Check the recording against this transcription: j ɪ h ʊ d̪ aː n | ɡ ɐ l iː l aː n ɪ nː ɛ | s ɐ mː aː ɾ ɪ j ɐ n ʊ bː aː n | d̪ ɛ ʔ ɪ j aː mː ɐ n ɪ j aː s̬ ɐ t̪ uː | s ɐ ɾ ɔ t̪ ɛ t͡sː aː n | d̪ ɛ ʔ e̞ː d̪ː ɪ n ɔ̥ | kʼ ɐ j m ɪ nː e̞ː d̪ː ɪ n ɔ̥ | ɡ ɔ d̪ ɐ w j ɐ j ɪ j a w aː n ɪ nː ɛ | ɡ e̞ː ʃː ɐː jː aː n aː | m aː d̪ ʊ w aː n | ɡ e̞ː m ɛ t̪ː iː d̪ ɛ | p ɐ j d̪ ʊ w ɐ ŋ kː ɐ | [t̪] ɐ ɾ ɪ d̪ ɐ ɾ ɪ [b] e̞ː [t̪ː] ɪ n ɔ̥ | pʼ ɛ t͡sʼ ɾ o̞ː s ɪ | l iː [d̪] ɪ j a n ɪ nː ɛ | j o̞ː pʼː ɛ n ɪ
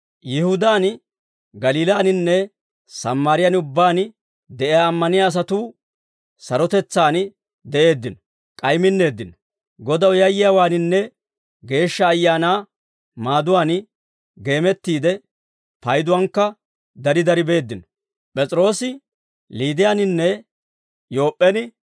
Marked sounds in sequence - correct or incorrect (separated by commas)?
incorrect, correct, incorrect, correct